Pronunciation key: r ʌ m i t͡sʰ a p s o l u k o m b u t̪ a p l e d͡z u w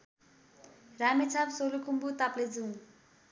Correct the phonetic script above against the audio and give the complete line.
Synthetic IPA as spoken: r a m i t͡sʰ a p s o l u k u m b u t̪ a p l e d͡z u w